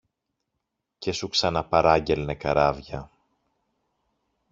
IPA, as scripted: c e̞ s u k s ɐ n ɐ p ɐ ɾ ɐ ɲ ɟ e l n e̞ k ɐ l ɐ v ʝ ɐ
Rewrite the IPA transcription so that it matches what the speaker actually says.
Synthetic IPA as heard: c e̞ s u k s ɐ n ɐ p ɐ ɾ ɐ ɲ ɟ e l n e̞ k ɐ ɾ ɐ v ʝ ɐ